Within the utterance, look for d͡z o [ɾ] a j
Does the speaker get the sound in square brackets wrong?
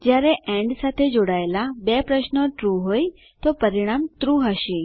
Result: yes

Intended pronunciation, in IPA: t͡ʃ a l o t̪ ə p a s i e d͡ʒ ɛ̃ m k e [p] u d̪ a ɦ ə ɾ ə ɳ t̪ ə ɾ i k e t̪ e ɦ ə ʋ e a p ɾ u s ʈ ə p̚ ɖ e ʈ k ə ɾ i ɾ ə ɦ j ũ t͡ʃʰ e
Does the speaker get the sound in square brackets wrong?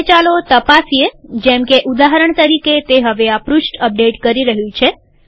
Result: yes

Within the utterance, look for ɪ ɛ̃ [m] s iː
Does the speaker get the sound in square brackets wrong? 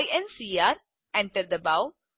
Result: yes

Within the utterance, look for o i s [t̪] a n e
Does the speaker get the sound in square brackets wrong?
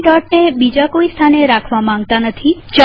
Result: yes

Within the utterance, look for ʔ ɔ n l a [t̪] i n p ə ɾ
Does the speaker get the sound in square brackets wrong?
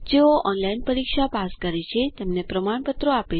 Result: yes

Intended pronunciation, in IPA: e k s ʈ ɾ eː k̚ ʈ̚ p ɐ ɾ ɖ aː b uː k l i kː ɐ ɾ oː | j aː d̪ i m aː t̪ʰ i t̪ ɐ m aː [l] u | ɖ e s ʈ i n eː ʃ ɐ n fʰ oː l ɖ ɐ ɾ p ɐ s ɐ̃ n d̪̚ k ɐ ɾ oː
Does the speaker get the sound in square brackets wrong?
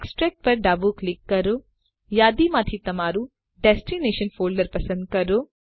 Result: yes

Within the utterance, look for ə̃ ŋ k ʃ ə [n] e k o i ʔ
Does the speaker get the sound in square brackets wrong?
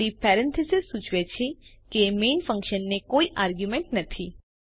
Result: yes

